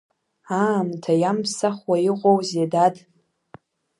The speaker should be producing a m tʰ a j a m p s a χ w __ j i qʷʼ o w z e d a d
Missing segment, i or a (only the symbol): a